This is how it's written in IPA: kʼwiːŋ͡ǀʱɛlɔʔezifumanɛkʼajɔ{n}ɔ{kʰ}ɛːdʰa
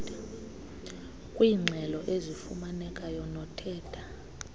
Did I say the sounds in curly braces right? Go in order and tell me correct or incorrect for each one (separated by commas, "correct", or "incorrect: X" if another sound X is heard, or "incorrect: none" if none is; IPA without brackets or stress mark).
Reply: correct, incorrect: tʰ